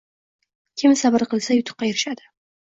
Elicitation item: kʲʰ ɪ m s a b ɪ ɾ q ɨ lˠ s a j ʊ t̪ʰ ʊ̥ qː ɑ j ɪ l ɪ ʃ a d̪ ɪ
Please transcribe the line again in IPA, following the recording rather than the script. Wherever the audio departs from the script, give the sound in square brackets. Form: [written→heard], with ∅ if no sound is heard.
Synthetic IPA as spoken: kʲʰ ɪ m s a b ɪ ɾ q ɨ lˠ s a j ʊ t̪ʰ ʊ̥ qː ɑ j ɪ [l→ɾ] ɪ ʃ a d̪ ɪ